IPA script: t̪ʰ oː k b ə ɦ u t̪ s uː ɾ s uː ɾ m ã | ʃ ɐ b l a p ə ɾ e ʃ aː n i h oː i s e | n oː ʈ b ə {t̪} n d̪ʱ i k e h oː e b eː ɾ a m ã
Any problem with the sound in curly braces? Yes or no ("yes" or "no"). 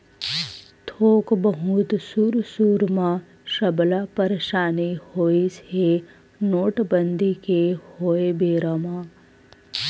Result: yes